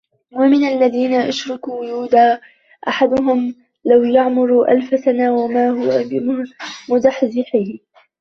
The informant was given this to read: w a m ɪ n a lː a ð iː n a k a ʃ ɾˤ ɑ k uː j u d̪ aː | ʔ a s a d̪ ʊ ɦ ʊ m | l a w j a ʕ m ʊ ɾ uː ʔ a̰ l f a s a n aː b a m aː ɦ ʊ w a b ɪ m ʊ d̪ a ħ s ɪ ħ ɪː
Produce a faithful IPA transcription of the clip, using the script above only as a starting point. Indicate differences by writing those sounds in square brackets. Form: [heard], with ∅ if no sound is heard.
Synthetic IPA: w a m ɪ n a lː a ð iː n a [ʔ] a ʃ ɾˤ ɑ k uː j [uː] d̪ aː | ʔ a [ħ] a d̪ ʊ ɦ ʊ m | l a w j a ʕ m ʊ ɾ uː ʔ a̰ l f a s a n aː [w] a m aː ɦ ʊ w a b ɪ m ʊ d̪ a ħ [z] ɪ ħ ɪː